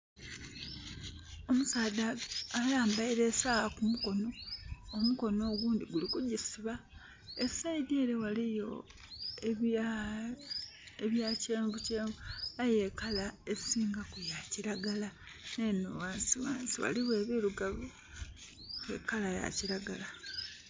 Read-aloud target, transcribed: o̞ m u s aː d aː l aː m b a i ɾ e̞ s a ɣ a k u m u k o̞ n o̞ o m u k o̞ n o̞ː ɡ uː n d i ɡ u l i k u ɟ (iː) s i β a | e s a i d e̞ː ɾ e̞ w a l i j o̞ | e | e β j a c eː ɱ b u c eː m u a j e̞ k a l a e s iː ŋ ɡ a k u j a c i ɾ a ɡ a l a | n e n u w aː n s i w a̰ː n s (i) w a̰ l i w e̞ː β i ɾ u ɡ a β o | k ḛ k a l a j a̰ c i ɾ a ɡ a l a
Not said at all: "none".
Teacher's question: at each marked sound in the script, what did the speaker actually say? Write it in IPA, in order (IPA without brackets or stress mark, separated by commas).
i, i